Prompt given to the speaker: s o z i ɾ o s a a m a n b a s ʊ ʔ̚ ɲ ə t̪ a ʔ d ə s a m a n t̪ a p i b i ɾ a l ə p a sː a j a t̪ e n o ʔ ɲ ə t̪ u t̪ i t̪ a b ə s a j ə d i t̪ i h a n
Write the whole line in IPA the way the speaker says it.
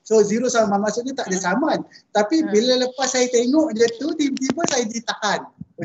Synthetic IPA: s o z i ɾ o s a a m a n m a s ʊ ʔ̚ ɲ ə t̪ a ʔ d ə s a m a n t̪ a p i b i l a l ə p a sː a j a t̪ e ŋ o ʔ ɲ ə t̪ u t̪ i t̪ i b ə s a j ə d i t̪ a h a n